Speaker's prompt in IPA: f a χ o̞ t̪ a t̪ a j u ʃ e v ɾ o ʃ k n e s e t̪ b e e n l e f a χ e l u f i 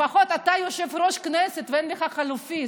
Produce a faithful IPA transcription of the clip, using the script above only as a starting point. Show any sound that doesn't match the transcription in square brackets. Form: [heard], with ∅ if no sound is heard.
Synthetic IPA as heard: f a χ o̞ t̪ a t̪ a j [o] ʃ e v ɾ o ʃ k n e s e t̪ [v] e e n l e [χ] a χ [a] l u f i